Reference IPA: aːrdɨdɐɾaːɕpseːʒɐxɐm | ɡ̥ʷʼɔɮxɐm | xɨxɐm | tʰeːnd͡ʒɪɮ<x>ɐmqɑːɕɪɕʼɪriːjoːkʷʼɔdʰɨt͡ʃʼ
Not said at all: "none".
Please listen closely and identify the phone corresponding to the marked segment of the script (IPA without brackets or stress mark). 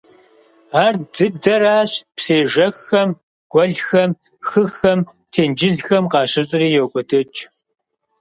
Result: x